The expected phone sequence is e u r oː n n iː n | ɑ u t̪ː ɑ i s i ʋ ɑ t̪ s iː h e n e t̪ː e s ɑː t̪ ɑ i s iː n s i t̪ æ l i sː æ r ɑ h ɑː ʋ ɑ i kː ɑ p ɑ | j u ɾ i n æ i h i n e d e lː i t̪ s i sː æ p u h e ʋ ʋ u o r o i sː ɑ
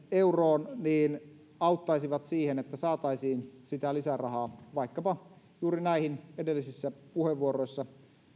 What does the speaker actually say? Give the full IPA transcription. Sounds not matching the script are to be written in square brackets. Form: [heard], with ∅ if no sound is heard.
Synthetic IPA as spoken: e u r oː n n iː n | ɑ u t̪ː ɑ i s i ʋ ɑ t̪ s iː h e n e t̪ː [æ] s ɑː t̪ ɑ i s iː n s i t̪ æ l i [s] æ r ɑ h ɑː ʋ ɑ i kː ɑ p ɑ | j [uː] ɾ i n æ i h i n e d e lː i [∅] s i sː æ p u h e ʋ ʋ u o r o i sː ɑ